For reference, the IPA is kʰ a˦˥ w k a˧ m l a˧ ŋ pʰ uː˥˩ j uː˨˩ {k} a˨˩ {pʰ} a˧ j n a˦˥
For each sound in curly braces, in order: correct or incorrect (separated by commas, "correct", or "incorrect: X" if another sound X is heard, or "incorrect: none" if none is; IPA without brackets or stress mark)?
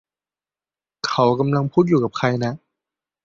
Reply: correct, incorrect: kʰ